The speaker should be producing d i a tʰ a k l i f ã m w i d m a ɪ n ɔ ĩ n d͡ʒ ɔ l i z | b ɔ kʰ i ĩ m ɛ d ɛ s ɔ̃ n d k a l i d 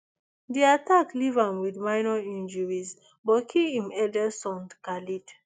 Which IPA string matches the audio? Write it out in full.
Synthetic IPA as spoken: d i a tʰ a k l i v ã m w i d m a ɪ n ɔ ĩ n d͡ʒ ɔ ɹ i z | b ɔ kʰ i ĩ m ɛ d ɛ s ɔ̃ n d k a l i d